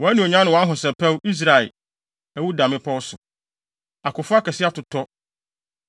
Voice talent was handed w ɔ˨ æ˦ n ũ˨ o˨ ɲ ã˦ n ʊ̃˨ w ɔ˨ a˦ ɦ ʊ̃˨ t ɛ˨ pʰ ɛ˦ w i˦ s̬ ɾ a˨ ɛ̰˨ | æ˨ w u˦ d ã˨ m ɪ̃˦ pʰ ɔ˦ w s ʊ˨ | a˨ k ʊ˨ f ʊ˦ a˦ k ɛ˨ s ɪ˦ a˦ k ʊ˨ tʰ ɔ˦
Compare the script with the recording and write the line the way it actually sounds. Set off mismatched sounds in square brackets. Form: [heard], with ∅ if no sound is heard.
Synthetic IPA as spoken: w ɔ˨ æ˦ n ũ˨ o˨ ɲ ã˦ n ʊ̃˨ w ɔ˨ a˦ ɦ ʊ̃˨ [s] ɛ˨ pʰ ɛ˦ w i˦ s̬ ɾ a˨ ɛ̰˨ | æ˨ w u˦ d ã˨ m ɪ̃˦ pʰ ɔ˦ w s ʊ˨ | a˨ k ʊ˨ f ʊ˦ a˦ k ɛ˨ s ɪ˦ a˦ [t] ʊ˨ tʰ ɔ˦